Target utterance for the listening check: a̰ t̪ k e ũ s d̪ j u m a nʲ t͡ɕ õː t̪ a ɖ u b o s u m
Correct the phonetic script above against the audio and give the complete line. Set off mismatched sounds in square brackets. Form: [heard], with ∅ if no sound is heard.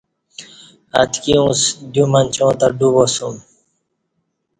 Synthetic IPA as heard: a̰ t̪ k [i] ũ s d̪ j u m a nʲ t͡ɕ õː t̪ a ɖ u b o s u m

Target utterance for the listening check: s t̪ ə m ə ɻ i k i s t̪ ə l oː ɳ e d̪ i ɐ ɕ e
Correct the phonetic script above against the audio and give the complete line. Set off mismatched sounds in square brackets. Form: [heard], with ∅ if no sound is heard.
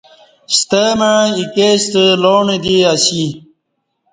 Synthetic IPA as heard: s t̪ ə m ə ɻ i k [e] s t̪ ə l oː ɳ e d̪ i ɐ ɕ [i]

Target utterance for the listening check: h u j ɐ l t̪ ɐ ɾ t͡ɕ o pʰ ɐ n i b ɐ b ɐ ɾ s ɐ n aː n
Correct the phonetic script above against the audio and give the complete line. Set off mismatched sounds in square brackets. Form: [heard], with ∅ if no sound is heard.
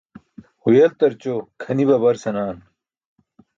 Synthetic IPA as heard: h u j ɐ l t̪ ɐ ɾ t͡ɕ o [kʰ] ɐ n i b ɐ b ɐ ɾ s ɐ n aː n

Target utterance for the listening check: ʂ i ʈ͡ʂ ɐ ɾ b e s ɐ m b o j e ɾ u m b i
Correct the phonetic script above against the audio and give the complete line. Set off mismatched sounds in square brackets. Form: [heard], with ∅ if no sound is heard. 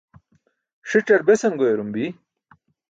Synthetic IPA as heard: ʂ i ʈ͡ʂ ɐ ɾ b e s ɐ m [ɡ] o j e ɾ u m b i

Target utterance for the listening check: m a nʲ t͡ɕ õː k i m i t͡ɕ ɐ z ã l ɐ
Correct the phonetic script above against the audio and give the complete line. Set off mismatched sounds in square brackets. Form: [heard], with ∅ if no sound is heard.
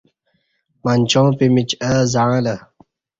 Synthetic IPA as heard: m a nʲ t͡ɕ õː [p] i m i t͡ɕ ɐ z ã l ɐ

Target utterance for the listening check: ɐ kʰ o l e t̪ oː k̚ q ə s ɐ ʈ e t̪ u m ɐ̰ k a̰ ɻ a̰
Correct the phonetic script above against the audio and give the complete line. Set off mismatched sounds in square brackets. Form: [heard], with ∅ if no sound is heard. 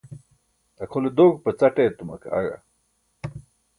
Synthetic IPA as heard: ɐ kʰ o l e [d̪] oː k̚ [p] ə [t͡s] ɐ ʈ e t̪ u m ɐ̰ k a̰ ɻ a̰

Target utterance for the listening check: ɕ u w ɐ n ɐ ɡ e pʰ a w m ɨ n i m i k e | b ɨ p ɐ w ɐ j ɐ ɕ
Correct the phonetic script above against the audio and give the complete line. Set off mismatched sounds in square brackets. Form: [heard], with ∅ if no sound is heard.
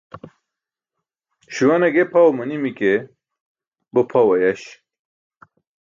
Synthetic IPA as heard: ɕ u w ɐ n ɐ ɡ e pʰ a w m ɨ n i m i k e | b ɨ [pʰ] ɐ w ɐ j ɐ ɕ

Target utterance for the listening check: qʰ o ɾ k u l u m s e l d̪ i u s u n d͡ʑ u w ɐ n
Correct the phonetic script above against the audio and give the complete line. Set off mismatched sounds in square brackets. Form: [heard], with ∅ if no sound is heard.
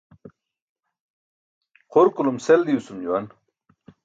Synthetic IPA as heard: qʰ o ɾ k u l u m s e l d̪ i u s u [m] d͡ʑ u w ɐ n

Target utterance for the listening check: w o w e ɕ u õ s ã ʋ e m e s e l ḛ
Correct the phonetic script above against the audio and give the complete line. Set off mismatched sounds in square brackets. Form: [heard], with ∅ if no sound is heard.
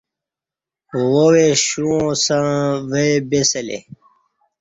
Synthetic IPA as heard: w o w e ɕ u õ s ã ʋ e [b] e s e l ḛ

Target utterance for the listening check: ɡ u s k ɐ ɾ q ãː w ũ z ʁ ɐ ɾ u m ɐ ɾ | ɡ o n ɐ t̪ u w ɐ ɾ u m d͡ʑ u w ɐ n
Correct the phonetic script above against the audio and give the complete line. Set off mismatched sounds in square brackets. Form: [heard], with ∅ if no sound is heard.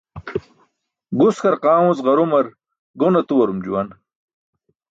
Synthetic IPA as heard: ɡ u s k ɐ ɾ q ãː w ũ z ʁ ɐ ɾ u m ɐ ɾ | ɡ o n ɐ t̪ u w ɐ ɾ u m d͡ʑ u w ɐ n

